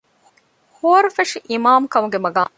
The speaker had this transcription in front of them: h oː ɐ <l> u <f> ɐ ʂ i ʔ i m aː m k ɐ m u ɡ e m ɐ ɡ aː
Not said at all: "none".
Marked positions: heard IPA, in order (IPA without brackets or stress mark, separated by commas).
ɾ, f